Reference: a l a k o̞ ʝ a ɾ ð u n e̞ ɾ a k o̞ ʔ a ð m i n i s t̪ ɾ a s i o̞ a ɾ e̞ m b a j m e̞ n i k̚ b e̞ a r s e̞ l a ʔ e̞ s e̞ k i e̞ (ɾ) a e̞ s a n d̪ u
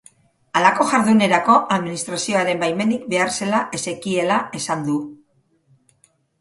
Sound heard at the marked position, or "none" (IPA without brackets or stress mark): l